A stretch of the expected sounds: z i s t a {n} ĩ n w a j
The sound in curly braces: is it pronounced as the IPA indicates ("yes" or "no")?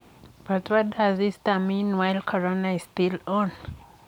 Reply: no